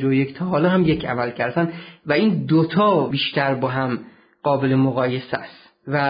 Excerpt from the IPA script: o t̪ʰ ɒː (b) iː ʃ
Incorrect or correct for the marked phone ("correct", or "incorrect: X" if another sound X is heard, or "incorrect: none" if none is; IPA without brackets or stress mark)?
correct